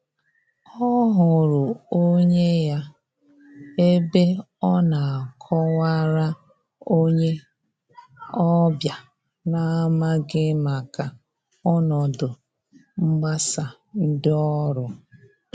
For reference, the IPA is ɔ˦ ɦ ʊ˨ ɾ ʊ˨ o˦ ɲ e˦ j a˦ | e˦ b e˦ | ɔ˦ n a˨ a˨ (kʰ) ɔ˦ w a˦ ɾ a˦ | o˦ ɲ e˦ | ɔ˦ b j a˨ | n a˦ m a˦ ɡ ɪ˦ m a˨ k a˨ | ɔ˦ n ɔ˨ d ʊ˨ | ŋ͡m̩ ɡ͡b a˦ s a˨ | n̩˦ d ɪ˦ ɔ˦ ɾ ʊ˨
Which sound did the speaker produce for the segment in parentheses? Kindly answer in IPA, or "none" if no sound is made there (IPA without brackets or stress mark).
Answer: kʰ